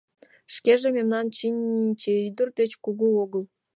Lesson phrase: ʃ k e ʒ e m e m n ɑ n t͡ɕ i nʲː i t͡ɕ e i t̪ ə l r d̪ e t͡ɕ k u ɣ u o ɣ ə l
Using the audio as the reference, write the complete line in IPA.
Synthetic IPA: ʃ k e ʒ e m e m n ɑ n t͡ɕ i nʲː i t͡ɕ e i d̪ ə r d̪ e t͡ɕ k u ɣ u o ɣ ə l